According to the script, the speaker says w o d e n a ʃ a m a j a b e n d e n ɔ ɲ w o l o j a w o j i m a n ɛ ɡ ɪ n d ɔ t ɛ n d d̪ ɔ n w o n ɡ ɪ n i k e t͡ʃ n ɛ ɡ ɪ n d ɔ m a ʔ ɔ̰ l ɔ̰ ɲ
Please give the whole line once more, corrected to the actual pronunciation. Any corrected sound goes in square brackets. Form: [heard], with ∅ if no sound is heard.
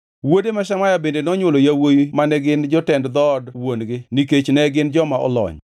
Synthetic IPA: w o d e [m] a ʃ a m a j a b e n d e n ɔ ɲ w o l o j a w o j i m a n ɛ ɡ ɪ n [d͡ʒ] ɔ t ɛ n d d̪ ɔ [d] w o n ɡ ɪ n i k e t͡ʃ n ɛ ɡ ɪ n [d͡ʒ] ɔ m a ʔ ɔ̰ l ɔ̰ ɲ